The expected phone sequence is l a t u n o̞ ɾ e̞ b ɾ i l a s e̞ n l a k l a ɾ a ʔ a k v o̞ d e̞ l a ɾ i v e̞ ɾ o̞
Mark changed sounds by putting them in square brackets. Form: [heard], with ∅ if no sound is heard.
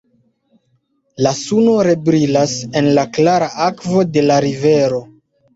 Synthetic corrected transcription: l a [s] u n o̞ ɾ e̞ b ɾ i l a s e̞ n l a k l a ɾ a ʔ a k v o̞ d e̞ l a ɾ i v e̞ ɾ o̞